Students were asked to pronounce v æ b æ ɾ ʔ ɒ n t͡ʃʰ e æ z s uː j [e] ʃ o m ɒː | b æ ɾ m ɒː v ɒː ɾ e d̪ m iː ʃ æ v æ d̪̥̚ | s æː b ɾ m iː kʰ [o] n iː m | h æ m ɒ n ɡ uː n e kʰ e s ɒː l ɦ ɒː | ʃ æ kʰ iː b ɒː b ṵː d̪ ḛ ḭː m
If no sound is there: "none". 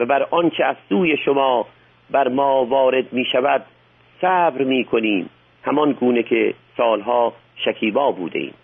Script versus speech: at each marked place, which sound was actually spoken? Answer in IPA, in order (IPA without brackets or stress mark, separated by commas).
e, o